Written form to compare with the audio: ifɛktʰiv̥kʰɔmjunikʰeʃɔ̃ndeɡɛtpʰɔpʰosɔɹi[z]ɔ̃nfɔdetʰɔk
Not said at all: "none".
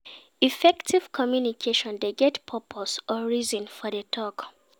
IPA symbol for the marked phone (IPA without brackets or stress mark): z